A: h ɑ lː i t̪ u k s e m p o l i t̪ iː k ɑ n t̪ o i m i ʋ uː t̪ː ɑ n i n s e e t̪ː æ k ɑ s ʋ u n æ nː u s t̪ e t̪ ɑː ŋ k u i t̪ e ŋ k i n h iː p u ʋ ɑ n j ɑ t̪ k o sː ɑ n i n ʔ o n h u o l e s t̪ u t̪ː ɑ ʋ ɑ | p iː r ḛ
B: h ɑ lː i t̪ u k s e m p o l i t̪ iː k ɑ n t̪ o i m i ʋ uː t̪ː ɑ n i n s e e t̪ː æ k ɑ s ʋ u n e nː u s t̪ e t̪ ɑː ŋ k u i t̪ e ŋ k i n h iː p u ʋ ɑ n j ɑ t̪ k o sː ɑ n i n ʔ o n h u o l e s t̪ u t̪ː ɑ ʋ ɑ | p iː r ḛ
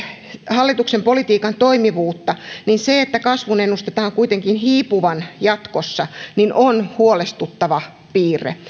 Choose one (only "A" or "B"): B